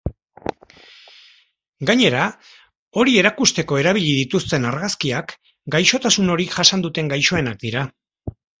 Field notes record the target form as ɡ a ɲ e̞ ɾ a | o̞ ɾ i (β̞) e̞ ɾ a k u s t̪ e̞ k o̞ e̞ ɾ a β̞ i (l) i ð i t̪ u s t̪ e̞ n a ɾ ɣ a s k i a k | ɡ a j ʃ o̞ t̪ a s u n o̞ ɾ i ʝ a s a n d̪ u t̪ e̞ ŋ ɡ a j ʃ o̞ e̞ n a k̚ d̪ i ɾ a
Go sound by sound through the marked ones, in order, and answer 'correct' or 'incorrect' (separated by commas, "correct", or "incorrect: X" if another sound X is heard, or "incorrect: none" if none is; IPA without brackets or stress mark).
incorrect: none, incorrect: ʎ